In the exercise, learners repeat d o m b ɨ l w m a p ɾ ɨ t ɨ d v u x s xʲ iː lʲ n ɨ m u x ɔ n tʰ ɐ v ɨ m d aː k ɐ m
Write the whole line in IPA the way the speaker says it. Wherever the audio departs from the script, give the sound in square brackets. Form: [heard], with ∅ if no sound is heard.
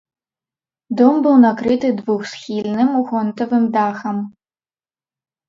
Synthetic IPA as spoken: d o m b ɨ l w [n] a [k] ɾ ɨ t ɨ d v u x s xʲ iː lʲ n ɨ m u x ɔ n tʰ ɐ v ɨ m d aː [x] ɐ m